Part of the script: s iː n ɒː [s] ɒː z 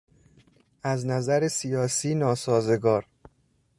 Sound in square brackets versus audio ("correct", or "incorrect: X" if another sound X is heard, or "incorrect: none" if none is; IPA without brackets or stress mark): correct